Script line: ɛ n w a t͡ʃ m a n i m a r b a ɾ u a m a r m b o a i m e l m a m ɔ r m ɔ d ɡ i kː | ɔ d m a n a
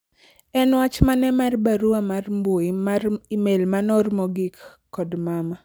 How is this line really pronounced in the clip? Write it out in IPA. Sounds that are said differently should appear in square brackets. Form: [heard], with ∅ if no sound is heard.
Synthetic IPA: ɛ n w a t͡ʃ m a n [ɛ] m a r b a ɾ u a m a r m b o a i m e l m a [n] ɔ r m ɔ [∅] ɡ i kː | ɔ d m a [m] a